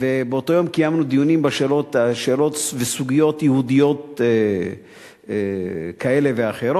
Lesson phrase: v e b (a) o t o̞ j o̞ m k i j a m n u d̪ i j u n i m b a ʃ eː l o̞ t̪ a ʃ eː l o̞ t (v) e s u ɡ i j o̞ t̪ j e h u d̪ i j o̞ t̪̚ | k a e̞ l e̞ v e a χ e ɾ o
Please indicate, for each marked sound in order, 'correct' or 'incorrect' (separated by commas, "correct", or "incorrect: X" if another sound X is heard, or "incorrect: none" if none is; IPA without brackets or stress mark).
incorrect: e, correct